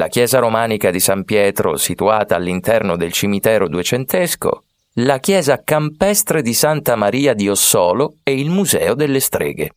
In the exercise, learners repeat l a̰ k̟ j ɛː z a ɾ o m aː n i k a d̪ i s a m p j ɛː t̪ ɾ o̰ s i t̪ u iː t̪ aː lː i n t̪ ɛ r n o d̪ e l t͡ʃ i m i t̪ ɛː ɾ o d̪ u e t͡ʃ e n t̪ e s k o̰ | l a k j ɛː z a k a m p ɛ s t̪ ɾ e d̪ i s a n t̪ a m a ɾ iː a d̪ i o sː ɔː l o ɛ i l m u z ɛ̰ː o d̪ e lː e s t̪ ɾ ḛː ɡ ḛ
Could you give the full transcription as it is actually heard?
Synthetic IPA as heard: l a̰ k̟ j ɛː z a ɾ o m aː n i k a d̪ i s a m p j ɛː t̪ ɾ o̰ s i t̪ u aː t̪ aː lː i n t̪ ɛ r n o d̪ e l t͡ʃ i m i t̪ ɛː ɾ o d̪ u e t͡ʃ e n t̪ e s k o̰ | l a k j ɛː z a k a m p ɛ s t̪ ɾ e d̪ i s a n t̪ a m a ɾ iː a d̪ i o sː ɔː l o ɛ i l m u z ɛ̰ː o d̪ e lː e s t̪ ɾ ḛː ɡ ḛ